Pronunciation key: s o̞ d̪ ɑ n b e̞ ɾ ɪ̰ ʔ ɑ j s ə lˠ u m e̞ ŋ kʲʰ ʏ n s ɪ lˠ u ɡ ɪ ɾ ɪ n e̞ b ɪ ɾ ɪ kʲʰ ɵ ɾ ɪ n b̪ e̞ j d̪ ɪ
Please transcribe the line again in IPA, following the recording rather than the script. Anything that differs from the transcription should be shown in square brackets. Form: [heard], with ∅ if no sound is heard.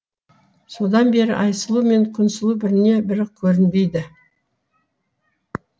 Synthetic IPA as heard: s o̞ d̪ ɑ n b e̞ ɾ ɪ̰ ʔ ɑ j s ə lˠ u m e̞ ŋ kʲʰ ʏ n s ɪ lˠ u [b] ɪ ɾ ɪ n e̞ b ɪ ɾ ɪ kʲʰ ɵ ɾ ɪ n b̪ e̞ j d̪ ɪ